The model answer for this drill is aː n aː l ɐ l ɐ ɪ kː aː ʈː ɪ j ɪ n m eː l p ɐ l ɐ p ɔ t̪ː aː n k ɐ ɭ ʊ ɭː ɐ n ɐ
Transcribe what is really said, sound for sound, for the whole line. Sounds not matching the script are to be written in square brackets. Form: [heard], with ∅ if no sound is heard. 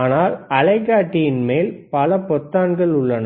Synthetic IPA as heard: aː n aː l ɐ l ɐ ɪ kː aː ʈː ɪ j ɪ n m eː l p ɐ l ɐ p ɔ t̪ː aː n [ɡ] ɐ ɭ ʊ ɭː ɐ n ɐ